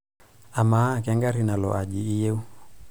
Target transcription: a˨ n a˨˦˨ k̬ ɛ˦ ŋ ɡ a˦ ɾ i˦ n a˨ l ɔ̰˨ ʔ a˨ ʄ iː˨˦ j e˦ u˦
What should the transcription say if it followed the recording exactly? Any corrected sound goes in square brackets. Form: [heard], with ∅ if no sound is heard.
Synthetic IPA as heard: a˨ [m] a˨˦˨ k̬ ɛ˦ ŋ ɡ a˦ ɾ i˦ n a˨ l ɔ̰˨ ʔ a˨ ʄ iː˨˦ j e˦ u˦